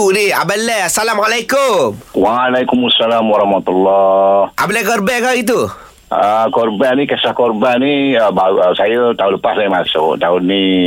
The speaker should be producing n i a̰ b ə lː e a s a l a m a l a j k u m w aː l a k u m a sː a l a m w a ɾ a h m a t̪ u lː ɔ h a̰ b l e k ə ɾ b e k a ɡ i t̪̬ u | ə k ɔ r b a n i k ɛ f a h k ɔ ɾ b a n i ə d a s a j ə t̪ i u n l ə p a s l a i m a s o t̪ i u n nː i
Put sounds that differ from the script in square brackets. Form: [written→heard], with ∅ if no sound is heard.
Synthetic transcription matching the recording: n i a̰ b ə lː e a s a l a m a l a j k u m w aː l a k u m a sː a l a m w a ɾ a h m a t̪ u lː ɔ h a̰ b l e k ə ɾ b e k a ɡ i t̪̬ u | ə k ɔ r b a n i k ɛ [f→s] a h k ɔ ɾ b a n i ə [d→b] a s a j ə t̪ [i→a] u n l ə p a s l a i m a s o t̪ [i→a] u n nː i